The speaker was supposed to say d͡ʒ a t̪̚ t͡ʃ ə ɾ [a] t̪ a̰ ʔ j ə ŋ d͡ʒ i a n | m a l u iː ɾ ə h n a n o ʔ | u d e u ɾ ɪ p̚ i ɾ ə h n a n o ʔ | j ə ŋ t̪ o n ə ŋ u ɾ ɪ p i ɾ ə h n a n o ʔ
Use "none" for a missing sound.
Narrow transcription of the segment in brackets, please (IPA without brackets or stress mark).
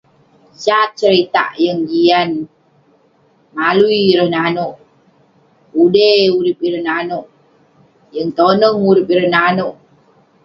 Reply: i